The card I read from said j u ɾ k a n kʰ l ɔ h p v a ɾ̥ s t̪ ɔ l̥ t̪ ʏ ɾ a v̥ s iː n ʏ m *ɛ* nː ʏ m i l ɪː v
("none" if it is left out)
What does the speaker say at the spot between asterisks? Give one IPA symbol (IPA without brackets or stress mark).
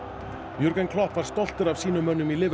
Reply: œ